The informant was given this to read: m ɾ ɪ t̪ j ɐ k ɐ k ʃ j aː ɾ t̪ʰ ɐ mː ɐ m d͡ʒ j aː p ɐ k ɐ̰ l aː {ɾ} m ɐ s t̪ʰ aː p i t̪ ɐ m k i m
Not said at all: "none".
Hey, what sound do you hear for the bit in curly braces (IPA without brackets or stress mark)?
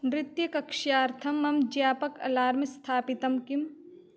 ɾ